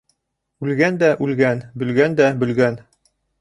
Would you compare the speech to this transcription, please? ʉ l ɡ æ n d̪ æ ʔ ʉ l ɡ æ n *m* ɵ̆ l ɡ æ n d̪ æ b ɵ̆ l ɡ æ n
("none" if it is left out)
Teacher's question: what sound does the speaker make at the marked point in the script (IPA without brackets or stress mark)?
b